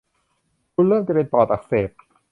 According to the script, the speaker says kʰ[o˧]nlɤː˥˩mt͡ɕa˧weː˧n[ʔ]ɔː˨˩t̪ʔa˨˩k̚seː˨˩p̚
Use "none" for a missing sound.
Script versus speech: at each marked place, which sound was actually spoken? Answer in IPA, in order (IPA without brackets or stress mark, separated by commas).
u˧, p